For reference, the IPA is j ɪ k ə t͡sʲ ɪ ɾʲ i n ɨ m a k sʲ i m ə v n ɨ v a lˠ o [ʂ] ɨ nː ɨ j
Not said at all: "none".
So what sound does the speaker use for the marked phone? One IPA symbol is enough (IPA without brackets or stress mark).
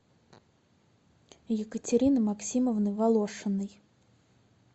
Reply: ʂ